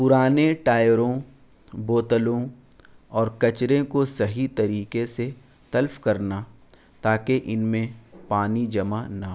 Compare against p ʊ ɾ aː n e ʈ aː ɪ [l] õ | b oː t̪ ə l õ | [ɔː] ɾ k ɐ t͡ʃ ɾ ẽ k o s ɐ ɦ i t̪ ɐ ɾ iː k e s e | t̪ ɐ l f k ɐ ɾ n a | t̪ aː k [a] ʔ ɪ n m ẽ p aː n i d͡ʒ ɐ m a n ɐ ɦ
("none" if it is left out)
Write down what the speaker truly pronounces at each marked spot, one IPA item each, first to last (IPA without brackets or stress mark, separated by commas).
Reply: ɾ, ɔː, e